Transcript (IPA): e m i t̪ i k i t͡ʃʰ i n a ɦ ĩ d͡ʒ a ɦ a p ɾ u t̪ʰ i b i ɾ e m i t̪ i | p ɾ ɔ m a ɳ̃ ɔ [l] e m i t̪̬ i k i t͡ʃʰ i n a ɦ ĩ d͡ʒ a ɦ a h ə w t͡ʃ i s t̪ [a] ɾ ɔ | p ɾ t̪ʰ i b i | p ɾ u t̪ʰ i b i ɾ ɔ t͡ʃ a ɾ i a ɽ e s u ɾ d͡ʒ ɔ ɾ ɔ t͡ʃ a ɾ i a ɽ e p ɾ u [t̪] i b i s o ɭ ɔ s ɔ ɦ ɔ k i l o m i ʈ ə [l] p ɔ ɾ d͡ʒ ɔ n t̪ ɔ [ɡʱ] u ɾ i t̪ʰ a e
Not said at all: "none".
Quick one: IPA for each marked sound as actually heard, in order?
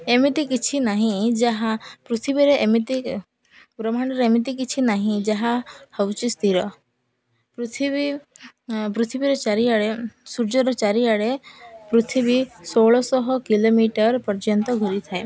ɾ, i, t̪ʰ, ɾ, ɡʱ

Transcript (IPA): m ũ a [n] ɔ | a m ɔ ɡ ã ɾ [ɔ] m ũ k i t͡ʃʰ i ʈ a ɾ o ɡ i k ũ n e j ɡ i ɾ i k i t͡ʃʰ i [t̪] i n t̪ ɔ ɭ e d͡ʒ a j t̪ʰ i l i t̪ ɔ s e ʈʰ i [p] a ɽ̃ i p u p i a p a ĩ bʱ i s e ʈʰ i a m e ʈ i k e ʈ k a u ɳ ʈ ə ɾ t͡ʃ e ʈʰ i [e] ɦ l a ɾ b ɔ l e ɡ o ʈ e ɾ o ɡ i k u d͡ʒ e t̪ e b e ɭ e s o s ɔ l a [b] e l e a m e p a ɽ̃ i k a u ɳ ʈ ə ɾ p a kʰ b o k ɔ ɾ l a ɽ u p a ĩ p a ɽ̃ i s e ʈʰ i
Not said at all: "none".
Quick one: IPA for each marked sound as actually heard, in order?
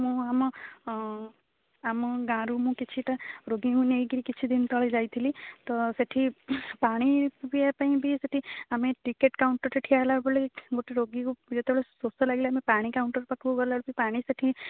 m, u, d̪, p, a, ɡ

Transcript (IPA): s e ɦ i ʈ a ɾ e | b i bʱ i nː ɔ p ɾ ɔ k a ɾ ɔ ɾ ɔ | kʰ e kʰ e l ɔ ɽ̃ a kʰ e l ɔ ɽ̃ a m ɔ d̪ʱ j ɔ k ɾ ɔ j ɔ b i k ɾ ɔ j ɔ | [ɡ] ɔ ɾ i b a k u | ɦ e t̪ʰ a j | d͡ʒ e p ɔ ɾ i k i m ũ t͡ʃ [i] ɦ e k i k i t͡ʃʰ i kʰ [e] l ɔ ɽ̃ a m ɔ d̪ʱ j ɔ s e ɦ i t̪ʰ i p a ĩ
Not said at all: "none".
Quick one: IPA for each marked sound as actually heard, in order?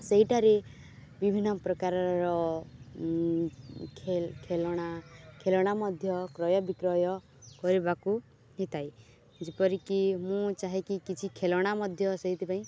k, a, e

